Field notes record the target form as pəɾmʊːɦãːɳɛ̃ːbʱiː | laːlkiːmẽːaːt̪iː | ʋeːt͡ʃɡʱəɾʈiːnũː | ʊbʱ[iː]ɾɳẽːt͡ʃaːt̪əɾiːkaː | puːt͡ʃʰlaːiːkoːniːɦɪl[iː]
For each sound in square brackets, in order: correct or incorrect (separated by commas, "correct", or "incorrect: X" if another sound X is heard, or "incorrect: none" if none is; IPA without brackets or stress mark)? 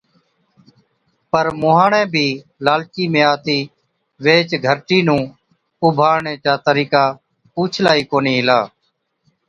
incorrect: aː, incorrect: aː